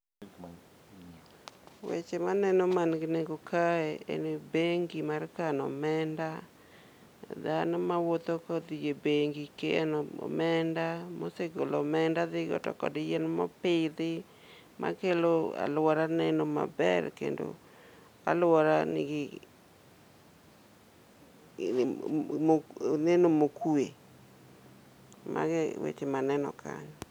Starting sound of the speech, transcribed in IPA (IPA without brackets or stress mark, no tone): w